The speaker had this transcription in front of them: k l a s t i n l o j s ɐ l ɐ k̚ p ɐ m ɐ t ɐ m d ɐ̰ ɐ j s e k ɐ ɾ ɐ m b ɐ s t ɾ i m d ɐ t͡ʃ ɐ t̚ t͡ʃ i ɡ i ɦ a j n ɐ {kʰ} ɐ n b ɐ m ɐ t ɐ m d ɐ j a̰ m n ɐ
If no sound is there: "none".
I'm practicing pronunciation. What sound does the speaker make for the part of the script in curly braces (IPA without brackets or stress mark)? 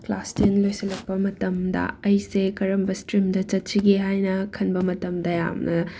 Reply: kʰ